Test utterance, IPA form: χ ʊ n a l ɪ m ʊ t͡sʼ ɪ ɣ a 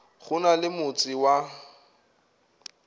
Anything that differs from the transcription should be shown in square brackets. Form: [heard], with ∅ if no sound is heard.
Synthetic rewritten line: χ ʊ n a l ɪ m ʊ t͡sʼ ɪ [w] a

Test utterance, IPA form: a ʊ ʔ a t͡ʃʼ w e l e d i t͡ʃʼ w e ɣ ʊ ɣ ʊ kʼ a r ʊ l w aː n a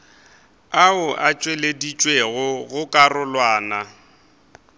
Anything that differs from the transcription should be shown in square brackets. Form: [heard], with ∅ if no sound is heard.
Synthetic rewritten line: a ʊ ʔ a t͡ʃʼ w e l e d i t͡ʃʼ w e ɣ ʊ ɣ ʊ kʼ a r ʊ l w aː n a

